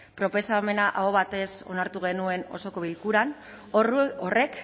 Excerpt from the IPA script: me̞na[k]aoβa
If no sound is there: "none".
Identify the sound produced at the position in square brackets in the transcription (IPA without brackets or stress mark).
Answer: ʔ